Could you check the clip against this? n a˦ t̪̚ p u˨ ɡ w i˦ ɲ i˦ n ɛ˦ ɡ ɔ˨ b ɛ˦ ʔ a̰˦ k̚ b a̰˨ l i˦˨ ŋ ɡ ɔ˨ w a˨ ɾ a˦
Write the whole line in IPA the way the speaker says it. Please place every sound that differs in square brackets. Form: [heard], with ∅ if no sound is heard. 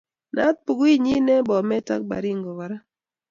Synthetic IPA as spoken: n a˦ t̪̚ p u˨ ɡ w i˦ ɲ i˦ n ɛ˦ [b] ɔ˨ [m] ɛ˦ [t] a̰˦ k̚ b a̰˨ [ɾ] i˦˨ ŋ ɡ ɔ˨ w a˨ ɾ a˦

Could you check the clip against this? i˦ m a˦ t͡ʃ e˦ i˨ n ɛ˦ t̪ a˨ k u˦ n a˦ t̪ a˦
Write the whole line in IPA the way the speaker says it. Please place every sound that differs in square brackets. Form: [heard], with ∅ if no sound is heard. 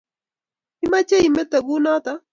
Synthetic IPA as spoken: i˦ m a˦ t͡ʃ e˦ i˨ [m] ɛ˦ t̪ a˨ [ɡ] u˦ n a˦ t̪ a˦

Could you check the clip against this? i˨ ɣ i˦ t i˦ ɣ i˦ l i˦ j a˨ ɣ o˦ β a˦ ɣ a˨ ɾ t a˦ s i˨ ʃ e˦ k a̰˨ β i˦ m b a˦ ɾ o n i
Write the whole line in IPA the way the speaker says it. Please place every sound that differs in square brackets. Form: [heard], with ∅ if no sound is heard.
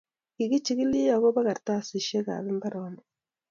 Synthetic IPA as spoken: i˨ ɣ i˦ [t͡ʃ] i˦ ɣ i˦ l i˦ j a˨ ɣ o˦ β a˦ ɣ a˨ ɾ t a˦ s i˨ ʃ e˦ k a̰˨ β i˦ m b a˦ ɾ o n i

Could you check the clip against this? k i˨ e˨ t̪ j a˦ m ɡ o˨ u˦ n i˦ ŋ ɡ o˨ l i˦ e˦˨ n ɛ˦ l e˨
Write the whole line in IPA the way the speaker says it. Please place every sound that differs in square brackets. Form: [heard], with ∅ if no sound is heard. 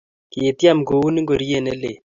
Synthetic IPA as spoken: k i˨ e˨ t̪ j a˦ m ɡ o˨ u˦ n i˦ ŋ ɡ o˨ [ɾ] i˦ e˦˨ n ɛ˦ l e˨

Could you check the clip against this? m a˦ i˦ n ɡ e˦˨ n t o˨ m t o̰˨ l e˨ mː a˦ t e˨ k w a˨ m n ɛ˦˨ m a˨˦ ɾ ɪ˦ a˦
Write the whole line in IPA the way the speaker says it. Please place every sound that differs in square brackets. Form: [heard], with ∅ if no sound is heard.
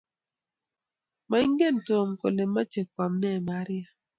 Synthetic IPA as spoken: m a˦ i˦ [ŋ] ɡ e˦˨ n t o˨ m [k] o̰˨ l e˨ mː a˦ [t͡ʃ] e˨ k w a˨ m n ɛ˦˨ m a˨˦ ɾ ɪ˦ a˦

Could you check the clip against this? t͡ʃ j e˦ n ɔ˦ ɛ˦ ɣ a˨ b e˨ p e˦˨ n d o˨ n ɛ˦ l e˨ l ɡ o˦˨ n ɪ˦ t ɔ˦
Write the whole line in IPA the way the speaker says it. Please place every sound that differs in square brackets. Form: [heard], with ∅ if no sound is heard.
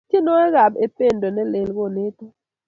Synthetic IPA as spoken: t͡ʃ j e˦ n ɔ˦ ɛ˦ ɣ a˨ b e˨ p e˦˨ n d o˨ n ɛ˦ l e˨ l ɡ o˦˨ n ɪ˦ t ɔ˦

